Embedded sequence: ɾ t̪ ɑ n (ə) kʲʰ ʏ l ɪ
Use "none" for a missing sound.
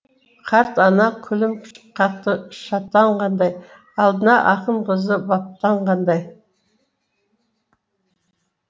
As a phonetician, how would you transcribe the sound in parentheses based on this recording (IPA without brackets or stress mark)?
ɑ